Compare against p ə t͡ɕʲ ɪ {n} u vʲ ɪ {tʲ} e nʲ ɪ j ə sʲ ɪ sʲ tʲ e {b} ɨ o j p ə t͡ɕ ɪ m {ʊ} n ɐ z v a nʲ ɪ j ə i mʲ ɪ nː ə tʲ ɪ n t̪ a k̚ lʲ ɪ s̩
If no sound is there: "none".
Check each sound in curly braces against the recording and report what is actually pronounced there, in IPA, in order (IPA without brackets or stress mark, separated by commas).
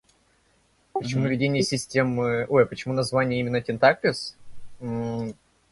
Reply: m, dʲ, m, u